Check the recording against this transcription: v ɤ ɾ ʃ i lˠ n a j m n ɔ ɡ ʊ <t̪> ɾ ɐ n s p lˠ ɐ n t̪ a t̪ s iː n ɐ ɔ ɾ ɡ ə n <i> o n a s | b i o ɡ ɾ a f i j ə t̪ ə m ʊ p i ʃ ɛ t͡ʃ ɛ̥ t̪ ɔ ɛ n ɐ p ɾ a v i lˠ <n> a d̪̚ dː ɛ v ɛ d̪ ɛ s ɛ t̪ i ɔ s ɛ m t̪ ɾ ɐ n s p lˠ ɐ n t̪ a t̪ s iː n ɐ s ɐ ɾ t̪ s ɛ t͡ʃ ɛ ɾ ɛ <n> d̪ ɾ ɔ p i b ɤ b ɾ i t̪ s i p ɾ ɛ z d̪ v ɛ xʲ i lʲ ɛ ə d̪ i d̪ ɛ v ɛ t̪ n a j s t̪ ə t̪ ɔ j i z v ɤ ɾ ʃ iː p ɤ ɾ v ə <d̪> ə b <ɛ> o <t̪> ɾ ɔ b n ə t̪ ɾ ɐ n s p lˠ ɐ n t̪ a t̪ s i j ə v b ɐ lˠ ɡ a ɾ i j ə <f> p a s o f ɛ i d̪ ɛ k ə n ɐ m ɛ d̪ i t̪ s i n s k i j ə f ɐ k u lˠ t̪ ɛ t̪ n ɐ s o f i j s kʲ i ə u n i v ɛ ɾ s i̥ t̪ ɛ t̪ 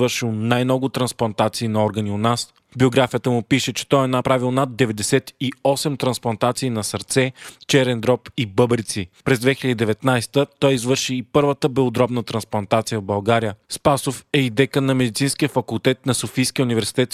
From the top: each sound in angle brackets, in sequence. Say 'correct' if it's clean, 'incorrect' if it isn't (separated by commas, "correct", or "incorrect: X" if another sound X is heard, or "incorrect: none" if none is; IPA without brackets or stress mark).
correct, correct, correct, correct, incorrect: t̪, correct, incorrect: d̪, incorrect: s